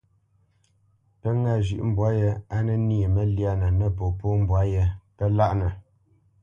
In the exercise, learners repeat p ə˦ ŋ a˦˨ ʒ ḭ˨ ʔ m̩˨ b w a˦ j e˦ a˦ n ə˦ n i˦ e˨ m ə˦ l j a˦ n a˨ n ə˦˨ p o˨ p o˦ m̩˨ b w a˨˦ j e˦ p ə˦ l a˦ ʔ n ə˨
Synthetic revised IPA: p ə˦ ŋ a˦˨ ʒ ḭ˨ ʔ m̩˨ b w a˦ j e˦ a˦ n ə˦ n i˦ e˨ m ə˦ l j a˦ n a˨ n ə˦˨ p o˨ p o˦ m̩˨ b w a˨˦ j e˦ p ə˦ l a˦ ʔ n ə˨